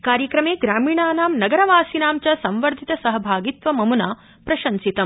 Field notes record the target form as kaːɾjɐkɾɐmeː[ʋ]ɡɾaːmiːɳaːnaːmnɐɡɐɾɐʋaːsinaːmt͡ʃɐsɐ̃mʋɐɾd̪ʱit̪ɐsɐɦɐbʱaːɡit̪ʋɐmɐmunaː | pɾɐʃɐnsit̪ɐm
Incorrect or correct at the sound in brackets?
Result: incorrect: none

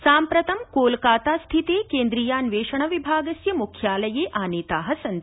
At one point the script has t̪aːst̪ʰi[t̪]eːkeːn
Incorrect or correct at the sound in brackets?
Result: correct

